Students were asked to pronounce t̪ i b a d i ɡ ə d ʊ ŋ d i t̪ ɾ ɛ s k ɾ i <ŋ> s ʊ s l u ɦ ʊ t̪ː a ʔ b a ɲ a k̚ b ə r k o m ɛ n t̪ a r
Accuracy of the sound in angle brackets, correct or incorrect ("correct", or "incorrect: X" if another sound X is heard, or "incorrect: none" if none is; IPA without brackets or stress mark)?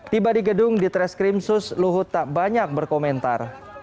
incorrect: m